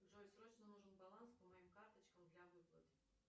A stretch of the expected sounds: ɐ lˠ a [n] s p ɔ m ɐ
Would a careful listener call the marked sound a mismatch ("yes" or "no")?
no